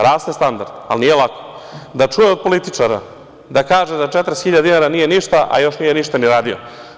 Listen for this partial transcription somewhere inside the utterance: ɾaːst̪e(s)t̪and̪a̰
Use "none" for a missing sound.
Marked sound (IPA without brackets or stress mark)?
s